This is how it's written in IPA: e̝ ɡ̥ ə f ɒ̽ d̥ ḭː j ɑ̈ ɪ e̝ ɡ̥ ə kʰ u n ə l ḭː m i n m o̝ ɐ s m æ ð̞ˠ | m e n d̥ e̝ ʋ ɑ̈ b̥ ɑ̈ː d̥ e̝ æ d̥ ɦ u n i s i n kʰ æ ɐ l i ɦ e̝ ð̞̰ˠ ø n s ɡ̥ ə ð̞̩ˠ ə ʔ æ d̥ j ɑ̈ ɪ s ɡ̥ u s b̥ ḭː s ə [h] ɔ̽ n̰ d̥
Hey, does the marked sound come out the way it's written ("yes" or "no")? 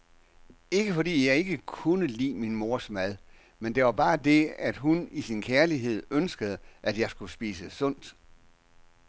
no